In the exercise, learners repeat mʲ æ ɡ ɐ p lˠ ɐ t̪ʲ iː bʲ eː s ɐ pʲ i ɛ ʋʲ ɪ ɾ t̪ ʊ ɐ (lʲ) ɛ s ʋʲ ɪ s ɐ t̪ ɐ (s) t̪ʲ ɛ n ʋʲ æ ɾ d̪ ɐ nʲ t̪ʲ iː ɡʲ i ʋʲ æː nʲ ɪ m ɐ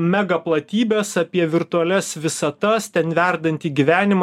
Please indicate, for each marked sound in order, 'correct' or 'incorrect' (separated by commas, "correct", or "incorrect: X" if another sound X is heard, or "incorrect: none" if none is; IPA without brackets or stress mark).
correct, correct